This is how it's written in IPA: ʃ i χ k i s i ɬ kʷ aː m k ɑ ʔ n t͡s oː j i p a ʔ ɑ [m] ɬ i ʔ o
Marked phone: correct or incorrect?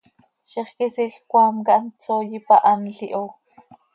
incorrect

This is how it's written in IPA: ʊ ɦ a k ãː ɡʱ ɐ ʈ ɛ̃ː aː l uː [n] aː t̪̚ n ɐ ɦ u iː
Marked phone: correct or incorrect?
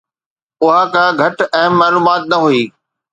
incorrect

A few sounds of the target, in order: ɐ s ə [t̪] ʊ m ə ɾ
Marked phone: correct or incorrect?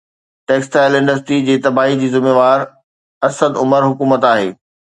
incorrect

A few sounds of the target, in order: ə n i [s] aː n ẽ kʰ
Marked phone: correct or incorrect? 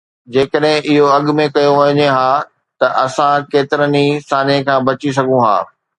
correct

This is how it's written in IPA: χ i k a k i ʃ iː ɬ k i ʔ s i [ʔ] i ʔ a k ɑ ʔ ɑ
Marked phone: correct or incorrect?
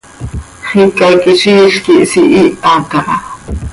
correct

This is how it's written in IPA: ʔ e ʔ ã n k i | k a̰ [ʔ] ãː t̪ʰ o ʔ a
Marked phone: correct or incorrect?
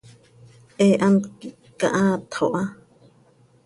correct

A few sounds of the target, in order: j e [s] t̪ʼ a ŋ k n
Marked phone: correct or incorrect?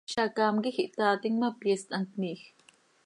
correct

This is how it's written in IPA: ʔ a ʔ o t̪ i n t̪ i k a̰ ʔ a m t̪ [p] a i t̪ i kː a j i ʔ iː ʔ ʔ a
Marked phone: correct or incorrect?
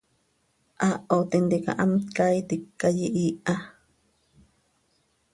incorrect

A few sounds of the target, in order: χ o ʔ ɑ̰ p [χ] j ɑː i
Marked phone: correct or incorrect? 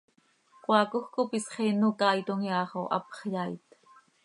correct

